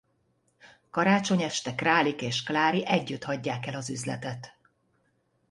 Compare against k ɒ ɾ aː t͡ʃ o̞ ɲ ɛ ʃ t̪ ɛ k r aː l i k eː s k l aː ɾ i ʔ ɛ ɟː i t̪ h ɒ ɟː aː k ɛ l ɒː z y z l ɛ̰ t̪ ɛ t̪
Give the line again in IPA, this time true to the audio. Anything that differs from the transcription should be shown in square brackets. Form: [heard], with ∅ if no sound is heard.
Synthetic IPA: k ɒ ɾ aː t͡ʃ o̞ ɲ ɛ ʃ t̪ ɛ k r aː l i k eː [ʃ] k l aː ɾ i ʔ ɛ ɟː [y] t̪ h ɒ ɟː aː k ɛ l [ɒ] z y z l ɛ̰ t̪ ɛ t̪

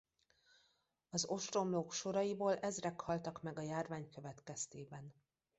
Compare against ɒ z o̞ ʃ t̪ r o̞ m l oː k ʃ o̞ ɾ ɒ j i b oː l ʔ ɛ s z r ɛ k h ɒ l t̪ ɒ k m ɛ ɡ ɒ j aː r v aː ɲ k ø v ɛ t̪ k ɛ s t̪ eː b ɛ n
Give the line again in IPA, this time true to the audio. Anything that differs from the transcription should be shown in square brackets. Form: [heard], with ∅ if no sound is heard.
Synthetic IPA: ɒ z o̞ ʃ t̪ r o̞ m l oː k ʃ o̞ ɾ ɒ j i b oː l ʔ ɛ [∅] z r ɛ k h ɒ l t̪ ɒ k m ɛ ɡ ɒ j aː r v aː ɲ k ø v ɛ t̪ k ɛ s t̪ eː b ɛ n

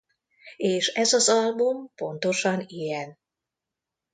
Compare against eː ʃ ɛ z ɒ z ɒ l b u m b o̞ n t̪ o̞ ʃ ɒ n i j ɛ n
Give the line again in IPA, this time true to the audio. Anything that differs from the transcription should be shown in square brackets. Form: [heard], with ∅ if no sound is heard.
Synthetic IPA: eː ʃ ɛ z ɒ z ɒ l b u m [p] o̞ n t̪ o̞ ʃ ɒ n i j ɛ n

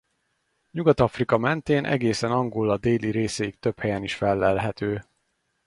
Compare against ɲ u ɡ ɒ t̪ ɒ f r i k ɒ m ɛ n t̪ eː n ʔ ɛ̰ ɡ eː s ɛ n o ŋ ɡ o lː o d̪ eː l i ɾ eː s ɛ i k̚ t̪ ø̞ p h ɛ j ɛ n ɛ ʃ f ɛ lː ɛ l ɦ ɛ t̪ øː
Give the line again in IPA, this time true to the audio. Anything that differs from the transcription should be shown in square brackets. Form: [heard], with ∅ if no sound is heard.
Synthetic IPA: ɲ u ɡ ɒ t̪ ɒ f r i k ɒ m ɛ n t̪ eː n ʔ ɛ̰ ɡ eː s ɛ n [ɒ] ŋ ɡ o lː [ɒ] d̪ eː l i ɾ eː s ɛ i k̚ t̪ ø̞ p h ɛ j ɛ n [i] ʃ f ɛ lː ɛ l ɦ ɛ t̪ øː

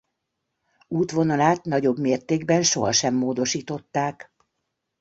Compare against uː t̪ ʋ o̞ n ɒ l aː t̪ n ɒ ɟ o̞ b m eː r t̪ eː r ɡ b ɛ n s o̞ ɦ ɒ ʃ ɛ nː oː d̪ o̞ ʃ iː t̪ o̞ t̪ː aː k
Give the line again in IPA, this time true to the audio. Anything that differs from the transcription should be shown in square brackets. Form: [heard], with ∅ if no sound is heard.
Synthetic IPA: uː t̪ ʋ o̞ n ɒ l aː t̪ n ɒ ɟ o̞ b m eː r t̪ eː [∅] ɡ b ɛ n [ʃ] o̞ ɦ ɒ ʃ ɛ [mː] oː d̪ o̞ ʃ iː t̪ o̞ t̪ː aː k

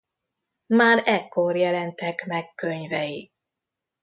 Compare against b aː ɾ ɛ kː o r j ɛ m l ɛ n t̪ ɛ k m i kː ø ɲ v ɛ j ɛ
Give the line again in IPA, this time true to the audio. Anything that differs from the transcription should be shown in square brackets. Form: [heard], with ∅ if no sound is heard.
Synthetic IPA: [m] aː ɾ ɛ kː o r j ɛ [∅] l ɛ n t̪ ɛ k m [ɛ] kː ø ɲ v ɛ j [i]

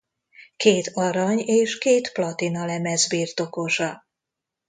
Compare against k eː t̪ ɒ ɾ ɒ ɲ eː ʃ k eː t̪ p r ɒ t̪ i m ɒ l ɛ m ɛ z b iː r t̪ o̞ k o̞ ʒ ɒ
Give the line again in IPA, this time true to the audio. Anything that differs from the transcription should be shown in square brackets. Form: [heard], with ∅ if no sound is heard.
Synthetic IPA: k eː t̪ ɒ ɾ ɒ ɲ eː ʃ k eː t̪ p [l] ɒ t̪ i [n] ɒ l ɛ m ɛ z b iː r t̪ o̞ k o̞ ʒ ɒ

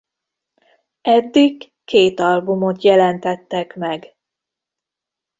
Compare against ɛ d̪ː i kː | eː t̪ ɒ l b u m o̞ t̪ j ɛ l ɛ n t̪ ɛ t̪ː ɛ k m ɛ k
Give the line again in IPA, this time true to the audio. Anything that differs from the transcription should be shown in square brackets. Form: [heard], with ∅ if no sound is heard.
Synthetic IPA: ɛ d̪ː i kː | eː t̪ ɒ l b u m o̞ t̪ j ɛ l ɛ n t̪ ɛ t̪ː ɛ k m ɛ [ɡ]

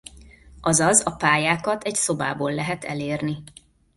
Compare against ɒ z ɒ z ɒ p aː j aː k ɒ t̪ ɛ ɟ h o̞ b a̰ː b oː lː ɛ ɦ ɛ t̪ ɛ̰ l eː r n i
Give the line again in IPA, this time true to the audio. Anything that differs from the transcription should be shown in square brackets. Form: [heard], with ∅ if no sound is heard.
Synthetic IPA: ɒ z ɒ z ɒ p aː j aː k ɒ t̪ ɛ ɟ [s] o̞ b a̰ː b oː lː ɛ ɦ ɛ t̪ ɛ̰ l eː r n i

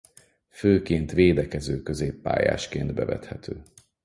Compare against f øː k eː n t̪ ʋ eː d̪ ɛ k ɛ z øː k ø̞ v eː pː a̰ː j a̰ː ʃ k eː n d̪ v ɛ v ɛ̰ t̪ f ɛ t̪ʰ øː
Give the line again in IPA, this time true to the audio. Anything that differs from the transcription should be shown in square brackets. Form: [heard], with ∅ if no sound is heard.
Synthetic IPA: f øː k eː n t̪ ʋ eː d̪ ɛ k ɛ z øː k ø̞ [z] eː pː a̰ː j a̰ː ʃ k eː n d̪ [b] ɛ v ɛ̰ t̪ [h] ɛ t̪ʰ øː

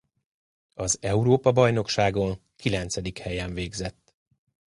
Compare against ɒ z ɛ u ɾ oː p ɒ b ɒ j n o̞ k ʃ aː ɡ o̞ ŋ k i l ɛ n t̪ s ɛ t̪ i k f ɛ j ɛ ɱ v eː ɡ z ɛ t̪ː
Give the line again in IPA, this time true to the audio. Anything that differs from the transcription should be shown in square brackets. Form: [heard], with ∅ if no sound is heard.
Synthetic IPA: ɒ z ɛ u ɾ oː p ɒ b ɒ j n o̞ k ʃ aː ɡ o̞ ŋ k i l ɛ n t̪ s ɛ [d̪] i k [h] ɛ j ɛ ɱ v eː ɡ z ɛ t̪ː

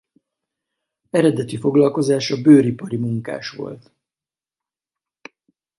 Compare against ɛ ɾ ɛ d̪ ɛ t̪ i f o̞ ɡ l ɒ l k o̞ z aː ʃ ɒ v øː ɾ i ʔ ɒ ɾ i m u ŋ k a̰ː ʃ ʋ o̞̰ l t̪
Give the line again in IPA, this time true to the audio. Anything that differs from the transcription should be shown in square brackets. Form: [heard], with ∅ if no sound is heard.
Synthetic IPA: ɛ ɾ ɛ d̪ ɛ t̪ i f o̞ ɡ l ɒ l k o̞ z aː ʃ ɒ [b] øː ɾ i [p] ɒ ɾ i m u ŋ k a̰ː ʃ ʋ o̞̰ l t̪

